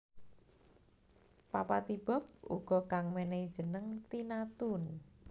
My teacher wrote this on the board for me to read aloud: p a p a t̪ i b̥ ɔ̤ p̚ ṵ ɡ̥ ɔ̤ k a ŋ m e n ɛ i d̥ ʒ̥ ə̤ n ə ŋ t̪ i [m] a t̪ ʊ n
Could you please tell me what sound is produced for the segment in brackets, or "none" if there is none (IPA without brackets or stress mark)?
n